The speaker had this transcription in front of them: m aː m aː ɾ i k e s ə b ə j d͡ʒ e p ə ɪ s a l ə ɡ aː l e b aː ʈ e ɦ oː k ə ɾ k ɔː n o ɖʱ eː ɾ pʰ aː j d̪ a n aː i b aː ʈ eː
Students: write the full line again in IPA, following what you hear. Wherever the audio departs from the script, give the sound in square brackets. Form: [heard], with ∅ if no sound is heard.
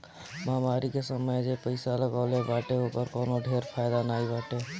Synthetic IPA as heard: m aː m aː ɾ i k e s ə [m] ə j d͡ʒ e p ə ɪ s a l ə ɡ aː l e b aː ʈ e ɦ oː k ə ɾ k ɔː n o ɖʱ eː ɾ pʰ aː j d̪ a n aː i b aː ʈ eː